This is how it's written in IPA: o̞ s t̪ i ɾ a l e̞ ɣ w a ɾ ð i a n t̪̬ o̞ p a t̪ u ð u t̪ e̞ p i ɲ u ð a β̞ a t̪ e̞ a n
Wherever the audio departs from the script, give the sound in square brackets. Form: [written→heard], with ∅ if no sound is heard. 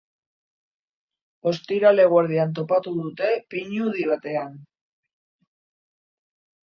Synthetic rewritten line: o̞ s t̪ i ɾ a l e̞ ɣ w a ɾ ð i a n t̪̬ o̞ p a t̪ u ð u t̪ e̞ p i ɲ u ð [a→i] β̞ a t̪ e̞ a n